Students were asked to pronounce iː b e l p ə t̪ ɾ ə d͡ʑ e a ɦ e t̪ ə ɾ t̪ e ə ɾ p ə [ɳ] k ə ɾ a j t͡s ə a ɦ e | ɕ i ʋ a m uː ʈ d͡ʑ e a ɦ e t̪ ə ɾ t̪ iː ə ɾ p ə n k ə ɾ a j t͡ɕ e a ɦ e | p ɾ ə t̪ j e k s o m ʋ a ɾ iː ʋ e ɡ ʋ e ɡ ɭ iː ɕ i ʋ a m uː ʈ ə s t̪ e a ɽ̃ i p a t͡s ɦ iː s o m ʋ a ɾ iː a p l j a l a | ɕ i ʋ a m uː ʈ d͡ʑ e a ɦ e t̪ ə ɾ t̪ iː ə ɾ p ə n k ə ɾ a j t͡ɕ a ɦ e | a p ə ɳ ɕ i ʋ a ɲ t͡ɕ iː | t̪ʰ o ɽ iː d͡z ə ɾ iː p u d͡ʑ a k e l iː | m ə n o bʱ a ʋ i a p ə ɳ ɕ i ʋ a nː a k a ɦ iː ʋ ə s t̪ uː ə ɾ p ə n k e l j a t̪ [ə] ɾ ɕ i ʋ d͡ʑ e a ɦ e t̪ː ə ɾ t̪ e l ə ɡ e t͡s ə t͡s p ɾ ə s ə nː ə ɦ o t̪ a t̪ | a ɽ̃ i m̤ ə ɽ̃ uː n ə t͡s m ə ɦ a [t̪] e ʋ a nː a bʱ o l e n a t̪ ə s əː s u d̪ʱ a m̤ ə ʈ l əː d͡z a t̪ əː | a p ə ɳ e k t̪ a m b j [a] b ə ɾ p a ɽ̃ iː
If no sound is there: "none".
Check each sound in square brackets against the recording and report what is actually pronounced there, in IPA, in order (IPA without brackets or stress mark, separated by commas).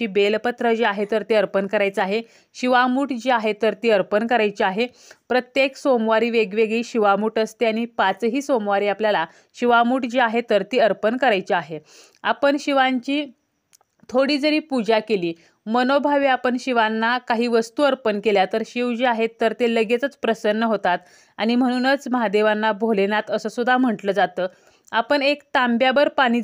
n, ə, d̪, a